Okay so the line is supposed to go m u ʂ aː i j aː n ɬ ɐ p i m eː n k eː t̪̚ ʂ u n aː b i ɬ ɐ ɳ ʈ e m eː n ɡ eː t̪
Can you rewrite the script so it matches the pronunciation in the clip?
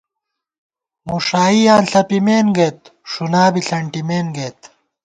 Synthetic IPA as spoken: m u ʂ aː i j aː n ɬ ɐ p i m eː n ɡ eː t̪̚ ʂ u n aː b i ɬ ɐ ɳ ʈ i m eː n ɡ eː t̪